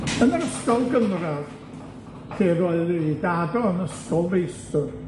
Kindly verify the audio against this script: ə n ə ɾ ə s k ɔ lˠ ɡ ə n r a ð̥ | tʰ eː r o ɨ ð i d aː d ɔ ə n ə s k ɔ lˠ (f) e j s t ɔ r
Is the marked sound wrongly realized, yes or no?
yes